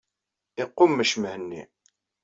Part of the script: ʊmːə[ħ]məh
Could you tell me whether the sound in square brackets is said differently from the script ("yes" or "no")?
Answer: yes